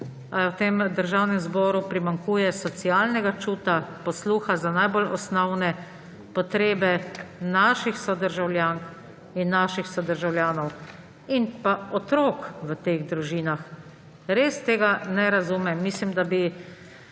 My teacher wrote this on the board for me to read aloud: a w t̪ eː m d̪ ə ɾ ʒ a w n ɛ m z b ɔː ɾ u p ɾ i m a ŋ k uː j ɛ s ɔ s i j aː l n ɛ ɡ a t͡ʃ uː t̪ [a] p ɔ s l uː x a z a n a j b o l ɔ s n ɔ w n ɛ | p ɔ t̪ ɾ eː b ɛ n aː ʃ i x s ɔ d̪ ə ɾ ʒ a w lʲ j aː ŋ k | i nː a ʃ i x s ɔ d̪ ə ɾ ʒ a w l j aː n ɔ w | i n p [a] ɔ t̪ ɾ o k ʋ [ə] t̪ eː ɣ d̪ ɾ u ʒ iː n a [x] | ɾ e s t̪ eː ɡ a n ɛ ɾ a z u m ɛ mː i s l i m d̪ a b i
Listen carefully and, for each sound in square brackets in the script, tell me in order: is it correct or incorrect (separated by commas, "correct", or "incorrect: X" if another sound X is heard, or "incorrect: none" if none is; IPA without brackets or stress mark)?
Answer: correct, correct, correct, correct